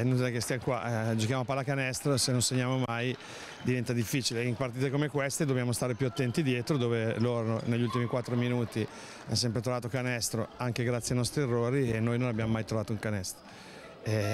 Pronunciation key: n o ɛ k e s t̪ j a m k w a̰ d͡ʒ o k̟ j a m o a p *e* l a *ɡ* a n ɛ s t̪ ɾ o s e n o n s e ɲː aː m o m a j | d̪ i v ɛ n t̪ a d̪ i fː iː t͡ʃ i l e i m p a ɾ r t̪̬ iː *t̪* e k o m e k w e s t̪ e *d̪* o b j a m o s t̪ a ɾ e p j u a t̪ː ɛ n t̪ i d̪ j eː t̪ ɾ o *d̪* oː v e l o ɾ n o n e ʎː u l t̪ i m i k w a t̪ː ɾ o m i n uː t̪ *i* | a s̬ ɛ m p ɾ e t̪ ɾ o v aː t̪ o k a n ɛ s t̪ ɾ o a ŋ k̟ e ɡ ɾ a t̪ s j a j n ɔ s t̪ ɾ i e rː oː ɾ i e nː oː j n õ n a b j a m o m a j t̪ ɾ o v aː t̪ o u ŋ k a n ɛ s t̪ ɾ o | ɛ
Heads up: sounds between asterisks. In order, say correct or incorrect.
incorrect, incorrect, correct, correct, correct, correct

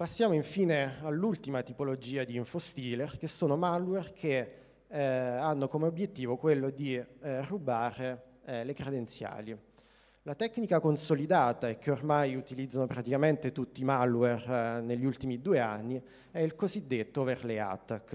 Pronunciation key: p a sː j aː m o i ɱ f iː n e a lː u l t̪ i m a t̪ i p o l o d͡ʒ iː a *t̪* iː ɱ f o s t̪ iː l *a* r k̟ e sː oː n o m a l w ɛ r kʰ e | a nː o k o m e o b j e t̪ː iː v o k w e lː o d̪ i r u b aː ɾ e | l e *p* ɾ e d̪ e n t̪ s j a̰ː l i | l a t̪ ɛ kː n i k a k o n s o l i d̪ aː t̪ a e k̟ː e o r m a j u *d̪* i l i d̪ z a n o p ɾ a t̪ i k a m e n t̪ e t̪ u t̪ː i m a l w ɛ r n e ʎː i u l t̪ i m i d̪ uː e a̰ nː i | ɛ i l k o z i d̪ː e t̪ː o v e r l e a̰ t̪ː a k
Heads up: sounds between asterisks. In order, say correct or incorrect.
incorrect, incorrect, incorrect, incorrect

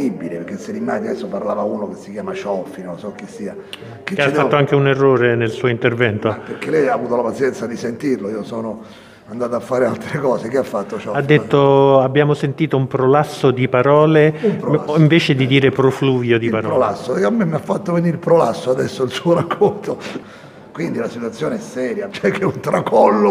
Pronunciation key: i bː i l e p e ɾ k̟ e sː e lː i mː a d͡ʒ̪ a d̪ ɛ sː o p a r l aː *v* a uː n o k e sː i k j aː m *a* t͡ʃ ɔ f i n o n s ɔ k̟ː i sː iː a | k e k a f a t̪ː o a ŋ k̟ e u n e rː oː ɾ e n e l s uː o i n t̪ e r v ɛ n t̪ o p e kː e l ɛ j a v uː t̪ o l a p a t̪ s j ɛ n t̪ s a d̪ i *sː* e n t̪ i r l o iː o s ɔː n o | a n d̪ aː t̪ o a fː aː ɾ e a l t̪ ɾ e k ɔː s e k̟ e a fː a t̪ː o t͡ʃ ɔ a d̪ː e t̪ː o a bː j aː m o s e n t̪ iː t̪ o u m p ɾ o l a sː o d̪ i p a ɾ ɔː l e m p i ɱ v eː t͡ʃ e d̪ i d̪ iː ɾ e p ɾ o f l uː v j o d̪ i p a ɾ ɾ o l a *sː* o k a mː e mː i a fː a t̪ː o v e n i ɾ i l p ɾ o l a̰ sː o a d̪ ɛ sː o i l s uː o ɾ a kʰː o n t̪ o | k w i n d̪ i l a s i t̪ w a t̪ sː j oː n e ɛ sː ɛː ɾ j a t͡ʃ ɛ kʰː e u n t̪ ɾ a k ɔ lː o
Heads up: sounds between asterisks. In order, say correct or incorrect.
correct, correct, incorrect, correct

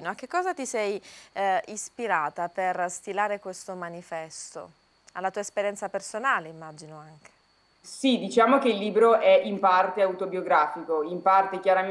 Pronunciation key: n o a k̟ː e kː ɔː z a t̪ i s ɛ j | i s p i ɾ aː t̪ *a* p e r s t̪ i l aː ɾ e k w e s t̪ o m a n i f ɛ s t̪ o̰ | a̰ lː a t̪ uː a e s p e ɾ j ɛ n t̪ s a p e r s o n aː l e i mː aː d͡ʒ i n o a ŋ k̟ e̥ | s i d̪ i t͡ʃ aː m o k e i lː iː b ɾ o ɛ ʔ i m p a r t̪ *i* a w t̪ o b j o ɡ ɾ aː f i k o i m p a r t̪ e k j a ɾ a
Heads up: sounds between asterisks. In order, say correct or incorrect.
correct, incorrect

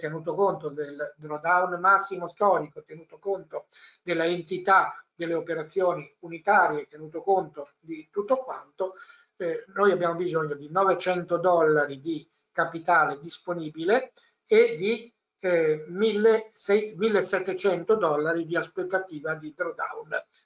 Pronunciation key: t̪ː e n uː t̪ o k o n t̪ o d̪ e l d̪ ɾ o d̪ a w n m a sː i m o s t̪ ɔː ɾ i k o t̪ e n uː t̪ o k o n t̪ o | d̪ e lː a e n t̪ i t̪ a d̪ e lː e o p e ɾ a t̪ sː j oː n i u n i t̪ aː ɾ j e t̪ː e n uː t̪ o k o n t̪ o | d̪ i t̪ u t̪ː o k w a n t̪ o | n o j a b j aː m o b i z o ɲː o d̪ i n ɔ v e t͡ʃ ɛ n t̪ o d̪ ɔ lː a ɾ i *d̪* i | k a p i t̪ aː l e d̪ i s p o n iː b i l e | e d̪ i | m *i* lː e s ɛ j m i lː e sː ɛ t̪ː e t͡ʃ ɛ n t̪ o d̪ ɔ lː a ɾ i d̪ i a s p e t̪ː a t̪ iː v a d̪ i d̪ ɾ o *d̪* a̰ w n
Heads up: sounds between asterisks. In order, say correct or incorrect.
correct, correct, correct

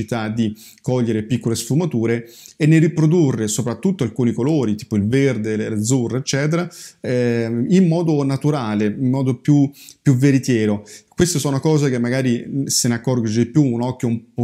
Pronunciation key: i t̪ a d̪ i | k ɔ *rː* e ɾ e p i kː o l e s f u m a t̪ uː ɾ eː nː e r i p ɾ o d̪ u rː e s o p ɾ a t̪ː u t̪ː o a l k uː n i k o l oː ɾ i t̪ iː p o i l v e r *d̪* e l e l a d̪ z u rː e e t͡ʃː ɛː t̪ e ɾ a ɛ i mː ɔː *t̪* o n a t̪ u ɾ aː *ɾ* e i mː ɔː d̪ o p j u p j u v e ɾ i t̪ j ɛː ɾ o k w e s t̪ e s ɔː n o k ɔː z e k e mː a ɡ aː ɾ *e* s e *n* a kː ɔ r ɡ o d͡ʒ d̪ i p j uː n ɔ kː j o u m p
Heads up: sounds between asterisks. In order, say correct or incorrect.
incorrect, correct, incorrect, incorrect, incorrect, correct

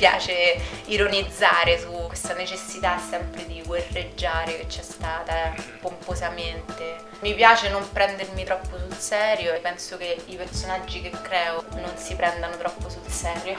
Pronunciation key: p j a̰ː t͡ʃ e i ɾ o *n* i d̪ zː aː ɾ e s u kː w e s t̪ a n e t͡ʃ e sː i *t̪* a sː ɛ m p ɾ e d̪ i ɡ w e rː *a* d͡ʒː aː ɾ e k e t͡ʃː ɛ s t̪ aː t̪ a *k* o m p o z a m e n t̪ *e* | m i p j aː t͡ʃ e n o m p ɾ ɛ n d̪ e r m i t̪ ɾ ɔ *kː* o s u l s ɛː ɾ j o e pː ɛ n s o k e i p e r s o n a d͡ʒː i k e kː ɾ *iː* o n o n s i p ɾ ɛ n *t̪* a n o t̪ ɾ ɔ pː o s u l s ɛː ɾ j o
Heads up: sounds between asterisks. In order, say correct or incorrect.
correct, correct, incorrect, incorrect, correct, incorrect, incorrect, incorrect

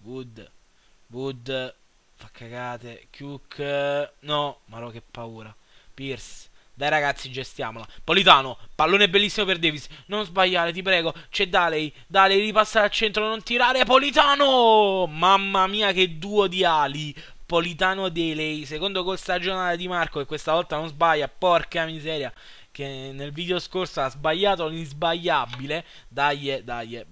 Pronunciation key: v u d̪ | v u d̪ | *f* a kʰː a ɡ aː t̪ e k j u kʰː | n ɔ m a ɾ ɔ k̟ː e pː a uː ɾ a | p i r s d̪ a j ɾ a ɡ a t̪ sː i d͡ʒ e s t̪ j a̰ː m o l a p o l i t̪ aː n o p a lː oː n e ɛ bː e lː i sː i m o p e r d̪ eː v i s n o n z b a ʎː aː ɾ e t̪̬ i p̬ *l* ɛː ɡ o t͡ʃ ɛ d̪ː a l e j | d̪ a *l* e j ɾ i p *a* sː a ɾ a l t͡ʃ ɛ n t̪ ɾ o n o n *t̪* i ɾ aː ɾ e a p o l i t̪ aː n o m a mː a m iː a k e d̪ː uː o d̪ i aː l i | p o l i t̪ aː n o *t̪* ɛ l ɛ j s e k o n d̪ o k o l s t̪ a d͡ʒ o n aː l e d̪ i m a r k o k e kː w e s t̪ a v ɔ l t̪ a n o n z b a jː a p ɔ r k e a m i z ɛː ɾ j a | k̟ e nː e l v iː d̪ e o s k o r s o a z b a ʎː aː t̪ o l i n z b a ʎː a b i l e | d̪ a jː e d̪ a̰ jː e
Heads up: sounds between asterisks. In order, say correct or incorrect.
correct, incorrect, correct, correct, correct, incorrect

